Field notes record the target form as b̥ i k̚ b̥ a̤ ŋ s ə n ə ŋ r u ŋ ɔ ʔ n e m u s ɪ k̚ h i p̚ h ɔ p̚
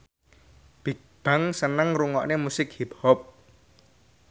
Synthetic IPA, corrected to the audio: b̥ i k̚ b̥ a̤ ŋ s ə n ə ŋ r u ŋ ɔ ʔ n e m u s ɪ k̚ h i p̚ h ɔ p̚